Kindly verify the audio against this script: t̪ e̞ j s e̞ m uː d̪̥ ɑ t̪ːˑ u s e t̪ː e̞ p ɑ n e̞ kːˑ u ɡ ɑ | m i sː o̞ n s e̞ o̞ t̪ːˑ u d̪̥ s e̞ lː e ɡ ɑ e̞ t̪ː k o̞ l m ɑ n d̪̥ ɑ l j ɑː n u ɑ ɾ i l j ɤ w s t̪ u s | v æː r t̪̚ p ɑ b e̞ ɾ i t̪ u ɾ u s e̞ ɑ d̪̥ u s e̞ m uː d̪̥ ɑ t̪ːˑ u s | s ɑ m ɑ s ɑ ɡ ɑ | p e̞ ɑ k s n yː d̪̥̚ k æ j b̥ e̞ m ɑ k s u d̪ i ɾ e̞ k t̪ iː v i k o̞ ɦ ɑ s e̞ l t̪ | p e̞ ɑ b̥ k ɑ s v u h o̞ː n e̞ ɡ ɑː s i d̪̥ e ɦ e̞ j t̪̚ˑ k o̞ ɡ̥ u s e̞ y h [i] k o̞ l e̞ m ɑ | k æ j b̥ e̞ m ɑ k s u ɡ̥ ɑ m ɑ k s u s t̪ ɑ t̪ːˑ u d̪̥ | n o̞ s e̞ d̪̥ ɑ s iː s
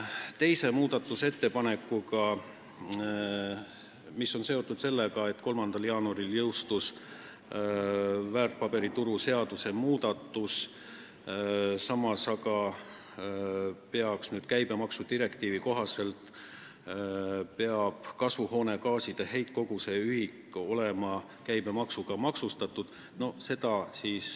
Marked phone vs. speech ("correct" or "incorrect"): correct